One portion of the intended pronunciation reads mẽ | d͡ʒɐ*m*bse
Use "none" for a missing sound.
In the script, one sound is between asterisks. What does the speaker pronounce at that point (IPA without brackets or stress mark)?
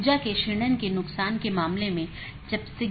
none